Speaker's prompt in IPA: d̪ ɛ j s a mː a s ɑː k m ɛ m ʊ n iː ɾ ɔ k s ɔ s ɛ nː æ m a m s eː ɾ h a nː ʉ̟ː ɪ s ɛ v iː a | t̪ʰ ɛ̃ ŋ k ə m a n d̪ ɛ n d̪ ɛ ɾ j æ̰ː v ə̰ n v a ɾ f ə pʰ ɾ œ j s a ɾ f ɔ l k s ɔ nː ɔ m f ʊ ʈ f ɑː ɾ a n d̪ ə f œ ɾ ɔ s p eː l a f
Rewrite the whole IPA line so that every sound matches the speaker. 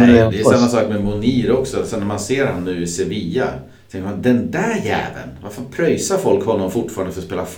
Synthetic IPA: d̪ ɛ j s a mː a s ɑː k m ɛ m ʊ n iː ɾ ɔ k s ɔ s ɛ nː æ m a n s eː ɾ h a nː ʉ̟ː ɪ s ɛ v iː a | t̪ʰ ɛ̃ ŋ k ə m a n d̪ ɛ n d̪ æ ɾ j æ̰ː v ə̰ n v a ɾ f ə pʰ ɾ œ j s a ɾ f ɔ l k h ɔ nː ɔ m f ʊ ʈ f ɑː ɾ a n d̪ ə f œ ɾ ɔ s p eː l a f